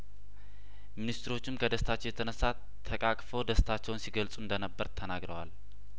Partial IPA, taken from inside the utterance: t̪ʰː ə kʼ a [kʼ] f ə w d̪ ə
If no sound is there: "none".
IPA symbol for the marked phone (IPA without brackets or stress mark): kʼ